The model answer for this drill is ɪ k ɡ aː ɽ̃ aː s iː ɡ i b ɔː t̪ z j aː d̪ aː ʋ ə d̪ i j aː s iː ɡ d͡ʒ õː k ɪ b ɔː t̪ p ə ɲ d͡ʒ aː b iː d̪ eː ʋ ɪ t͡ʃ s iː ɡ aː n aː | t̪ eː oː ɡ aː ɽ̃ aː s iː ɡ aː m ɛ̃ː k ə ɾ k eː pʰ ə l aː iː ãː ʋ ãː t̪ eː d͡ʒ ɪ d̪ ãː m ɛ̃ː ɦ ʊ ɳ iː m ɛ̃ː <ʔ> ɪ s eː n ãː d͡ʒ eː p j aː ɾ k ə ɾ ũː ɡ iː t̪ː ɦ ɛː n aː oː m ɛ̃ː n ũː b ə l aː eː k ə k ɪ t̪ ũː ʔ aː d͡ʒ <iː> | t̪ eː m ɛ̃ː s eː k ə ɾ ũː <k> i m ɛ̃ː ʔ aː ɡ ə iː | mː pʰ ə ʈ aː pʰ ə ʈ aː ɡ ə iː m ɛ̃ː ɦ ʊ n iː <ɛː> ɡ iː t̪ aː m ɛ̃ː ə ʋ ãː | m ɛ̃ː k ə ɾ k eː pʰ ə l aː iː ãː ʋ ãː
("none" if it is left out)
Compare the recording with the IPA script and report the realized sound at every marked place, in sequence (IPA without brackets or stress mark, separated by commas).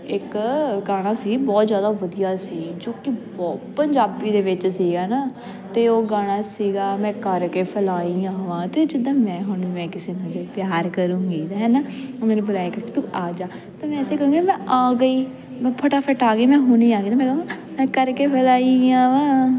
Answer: k, aː, ɡ, aː